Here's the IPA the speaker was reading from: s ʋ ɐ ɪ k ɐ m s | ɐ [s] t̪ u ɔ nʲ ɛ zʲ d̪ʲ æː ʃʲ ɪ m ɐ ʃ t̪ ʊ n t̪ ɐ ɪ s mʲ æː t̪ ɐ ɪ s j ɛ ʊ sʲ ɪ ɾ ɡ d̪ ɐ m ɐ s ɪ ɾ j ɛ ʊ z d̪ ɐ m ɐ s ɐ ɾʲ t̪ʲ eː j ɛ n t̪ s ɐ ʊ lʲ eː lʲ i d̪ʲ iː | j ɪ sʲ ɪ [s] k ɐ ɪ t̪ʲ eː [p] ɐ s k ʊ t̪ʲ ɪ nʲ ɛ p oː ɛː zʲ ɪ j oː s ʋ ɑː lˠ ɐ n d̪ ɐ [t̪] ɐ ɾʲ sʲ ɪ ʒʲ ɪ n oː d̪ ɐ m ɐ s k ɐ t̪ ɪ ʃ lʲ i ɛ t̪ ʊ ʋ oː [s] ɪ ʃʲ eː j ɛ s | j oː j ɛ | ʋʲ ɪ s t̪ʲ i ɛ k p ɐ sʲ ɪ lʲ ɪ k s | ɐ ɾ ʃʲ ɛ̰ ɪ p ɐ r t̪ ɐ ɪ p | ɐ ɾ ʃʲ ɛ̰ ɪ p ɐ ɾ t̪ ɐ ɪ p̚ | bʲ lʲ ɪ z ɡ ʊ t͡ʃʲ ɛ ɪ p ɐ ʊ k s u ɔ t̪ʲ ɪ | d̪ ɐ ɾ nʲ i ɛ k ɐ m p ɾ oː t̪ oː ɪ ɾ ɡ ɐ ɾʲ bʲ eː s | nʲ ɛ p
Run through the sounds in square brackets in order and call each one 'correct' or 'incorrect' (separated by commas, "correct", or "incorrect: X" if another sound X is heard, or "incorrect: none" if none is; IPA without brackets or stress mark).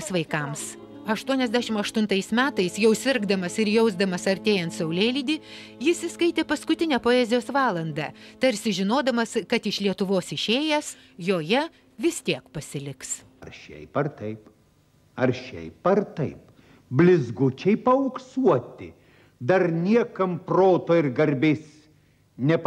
incorrect: ʃ, correct, correct, correct, correct